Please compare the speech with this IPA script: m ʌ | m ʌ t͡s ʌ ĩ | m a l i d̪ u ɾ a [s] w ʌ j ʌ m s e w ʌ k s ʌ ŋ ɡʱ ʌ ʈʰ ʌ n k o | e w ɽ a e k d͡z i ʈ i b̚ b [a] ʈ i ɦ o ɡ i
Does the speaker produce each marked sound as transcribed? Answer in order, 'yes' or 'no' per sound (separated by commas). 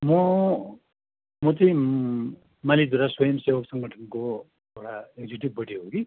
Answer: yes, no